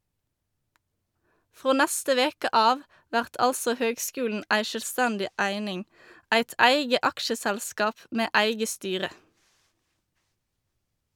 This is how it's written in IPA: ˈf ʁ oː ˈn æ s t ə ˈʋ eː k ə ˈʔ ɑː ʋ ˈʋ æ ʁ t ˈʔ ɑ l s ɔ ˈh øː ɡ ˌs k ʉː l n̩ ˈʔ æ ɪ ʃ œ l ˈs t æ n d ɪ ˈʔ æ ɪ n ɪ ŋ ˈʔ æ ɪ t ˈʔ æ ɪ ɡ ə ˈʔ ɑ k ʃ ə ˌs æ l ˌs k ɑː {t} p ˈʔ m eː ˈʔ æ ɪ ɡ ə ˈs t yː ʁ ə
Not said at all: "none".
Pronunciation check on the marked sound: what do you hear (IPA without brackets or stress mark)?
none